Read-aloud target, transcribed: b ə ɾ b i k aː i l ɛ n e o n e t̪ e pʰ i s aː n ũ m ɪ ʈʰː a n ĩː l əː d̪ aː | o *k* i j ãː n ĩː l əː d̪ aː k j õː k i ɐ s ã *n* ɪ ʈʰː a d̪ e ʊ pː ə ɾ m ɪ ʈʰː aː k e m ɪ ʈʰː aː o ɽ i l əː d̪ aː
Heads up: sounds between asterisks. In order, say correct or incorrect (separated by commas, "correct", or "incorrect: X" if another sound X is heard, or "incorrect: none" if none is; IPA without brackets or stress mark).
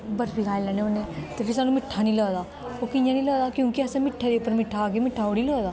correct, incorrect: m